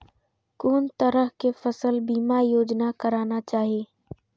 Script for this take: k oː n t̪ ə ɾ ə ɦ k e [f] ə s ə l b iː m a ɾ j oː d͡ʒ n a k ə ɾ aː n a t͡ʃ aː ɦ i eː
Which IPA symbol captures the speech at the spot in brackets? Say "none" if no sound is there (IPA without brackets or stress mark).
f